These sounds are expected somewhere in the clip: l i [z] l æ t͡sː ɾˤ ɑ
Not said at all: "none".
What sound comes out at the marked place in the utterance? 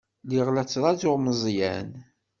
ʁ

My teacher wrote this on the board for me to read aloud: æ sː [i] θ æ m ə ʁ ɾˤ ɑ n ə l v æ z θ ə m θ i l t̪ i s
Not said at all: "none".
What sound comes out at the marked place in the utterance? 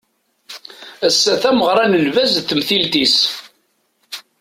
æ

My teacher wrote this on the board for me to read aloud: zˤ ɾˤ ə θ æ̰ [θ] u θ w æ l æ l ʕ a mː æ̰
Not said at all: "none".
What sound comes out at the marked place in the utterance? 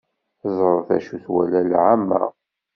ʃ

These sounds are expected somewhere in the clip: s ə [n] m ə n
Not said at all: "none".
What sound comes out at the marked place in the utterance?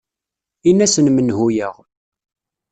n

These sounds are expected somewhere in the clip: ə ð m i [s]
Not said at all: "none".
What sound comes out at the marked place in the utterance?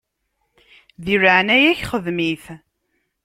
θ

